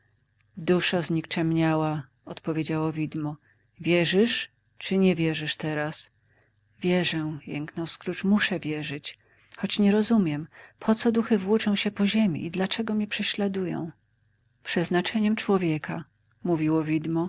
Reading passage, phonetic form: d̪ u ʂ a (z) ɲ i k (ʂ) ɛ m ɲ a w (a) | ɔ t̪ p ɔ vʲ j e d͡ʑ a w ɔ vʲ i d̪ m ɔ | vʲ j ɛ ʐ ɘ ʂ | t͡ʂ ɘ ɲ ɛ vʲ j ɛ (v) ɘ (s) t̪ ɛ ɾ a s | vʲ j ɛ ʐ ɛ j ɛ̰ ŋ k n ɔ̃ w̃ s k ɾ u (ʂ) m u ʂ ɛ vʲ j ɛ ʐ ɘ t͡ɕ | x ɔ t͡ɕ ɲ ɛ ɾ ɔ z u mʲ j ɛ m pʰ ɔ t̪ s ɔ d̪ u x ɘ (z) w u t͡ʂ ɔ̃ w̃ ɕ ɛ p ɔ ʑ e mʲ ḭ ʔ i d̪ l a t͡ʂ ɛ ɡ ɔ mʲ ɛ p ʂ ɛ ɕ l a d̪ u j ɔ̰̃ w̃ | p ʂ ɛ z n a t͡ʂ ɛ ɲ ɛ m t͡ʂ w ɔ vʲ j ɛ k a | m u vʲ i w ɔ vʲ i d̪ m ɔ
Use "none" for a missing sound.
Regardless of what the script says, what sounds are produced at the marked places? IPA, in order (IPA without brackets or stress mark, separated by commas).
z, t͡ʂ, a, ʐ, ʂ, t͡ʂ, v